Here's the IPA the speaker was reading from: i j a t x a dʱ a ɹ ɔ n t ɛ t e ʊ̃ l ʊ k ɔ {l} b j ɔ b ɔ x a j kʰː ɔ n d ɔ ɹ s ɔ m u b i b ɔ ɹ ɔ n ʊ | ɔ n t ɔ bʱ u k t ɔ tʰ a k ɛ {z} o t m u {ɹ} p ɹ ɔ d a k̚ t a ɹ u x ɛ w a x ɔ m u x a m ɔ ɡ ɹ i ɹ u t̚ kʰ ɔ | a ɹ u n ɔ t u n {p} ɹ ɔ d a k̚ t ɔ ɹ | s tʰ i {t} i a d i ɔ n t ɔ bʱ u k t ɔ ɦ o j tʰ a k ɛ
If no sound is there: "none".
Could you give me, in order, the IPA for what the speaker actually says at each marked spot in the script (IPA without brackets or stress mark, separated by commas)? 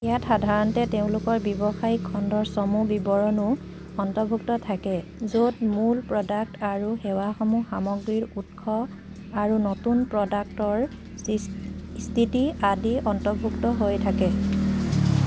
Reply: ɹ, z, l, p, t